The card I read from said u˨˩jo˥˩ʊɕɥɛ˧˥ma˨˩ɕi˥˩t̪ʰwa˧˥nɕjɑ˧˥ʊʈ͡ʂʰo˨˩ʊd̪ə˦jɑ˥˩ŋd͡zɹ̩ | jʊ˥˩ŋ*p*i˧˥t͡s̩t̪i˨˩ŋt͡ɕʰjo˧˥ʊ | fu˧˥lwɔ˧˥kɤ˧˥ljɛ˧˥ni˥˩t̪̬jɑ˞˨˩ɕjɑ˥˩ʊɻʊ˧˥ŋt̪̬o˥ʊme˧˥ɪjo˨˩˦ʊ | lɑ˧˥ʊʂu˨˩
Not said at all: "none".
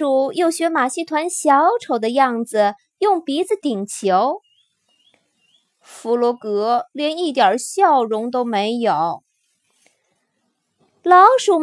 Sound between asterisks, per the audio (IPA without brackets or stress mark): p